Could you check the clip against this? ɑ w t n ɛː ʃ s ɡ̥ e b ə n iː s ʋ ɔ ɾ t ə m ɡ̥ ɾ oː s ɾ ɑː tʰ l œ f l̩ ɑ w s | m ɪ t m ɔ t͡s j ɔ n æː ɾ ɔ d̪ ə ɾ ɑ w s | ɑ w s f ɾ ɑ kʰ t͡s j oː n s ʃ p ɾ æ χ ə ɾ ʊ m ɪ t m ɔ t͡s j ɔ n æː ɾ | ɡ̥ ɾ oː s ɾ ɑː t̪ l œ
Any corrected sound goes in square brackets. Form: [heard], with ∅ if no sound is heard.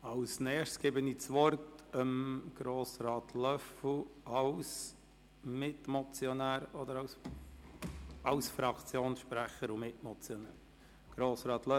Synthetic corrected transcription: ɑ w [s] n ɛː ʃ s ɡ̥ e b ə n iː [t͡s] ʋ ɔ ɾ t ə m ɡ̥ ɾ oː s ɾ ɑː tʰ l œ f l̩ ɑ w s | m ɪ t m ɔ t͡s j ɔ n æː ɾ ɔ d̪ ə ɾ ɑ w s | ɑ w s f ɾ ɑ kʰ t͡s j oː n s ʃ p ɾ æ χ ə ɾ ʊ m ɪ t m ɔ t͡s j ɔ n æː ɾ | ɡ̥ ɾ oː s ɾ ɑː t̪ l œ